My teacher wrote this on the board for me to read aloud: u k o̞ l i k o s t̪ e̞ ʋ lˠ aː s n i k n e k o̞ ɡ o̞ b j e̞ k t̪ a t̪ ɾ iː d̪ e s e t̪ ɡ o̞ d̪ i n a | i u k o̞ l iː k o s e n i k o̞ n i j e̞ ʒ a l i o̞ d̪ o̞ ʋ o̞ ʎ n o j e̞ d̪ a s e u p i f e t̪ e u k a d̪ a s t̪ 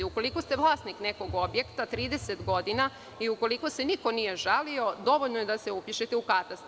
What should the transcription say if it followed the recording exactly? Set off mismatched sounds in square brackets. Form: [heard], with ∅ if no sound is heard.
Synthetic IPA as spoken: u k o̞ l i k o s t̪ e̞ ʋ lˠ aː s n i k n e k o̞ ɡ o̞ b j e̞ k t̪ a t̪ ɾ iː d̪ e s e t̪ ɡ o̞ d̪ i n a | i u k o̞ l [i] k o s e n i k o̞ n i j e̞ ʒ a l i o̞ d̪ o̞ ʋ o̞ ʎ n o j e̞ d̪ a s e u p i [ʃ] e t̪ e u k a [t̪] a s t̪